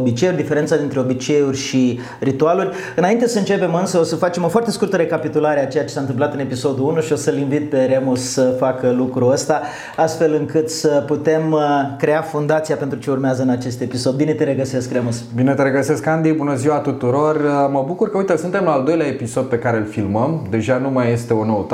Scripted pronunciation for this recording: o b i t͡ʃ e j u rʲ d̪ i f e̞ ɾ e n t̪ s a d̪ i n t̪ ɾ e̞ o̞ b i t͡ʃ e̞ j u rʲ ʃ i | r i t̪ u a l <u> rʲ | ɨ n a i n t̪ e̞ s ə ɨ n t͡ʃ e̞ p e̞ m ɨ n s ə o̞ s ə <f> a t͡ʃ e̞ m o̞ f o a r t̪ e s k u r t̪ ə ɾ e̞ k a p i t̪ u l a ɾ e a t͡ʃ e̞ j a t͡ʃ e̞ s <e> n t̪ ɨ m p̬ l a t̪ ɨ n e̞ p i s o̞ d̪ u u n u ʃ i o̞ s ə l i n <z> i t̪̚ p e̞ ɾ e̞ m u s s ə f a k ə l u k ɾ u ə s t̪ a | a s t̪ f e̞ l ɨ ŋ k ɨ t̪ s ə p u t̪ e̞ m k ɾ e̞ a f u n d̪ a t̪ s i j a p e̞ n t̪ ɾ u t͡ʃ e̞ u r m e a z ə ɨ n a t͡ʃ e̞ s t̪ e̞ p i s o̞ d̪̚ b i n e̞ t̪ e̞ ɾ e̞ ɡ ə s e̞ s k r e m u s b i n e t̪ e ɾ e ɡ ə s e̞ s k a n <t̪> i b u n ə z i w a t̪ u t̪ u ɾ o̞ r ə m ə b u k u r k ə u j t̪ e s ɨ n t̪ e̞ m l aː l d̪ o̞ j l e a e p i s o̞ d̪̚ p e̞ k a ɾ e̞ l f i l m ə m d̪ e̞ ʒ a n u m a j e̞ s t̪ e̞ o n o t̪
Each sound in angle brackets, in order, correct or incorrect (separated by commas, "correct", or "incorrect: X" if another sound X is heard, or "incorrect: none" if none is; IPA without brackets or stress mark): correct, correct, incorrect: a, incorrect: v, incorrect: d̪